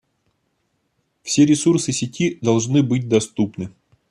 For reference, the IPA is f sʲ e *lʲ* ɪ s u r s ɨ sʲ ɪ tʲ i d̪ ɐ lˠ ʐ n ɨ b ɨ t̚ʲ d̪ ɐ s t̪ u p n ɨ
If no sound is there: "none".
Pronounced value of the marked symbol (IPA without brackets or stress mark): ɾʲ